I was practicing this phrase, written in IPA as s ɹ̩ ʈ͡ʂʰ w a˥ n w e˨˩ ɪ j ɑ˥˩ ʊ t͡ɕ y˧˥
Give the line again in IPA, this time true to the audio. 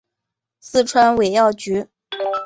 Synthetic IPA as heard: s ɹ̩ ʈ͡ʂʰ w a˥ n w e˨˩ ɪ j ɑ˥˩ ʊ t͡ɕ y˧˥